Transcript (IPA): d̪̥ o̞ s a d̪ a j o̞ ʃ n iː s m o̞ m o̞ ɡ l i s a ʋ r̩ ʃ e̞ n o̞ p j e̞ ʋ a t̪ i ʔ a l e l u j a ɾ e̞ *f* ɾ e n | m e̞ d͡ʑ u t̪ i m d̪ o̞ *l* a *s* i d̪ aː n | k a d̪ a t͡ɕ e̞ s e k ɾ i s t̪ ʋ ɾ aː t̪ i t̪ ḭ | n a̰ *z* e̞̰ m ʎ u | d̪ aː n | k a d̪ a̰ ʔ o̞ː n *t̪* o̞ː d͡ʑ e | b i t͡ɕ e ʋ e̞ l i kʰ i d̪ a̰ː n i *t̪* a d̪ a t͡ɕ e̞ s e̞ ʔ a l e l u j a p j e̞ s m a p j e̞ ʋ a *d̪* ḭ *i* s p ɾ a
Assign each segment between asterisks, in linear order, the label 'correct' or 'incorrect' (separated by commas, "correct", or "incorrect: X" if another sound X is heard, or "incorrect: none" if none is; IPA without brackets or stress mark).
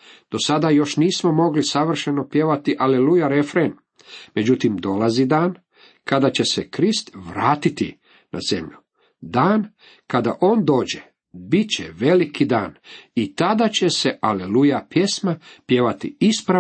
correct, correct, incorrect: z, correct, incorrect: d̪, correct, incorrect: t̪, correct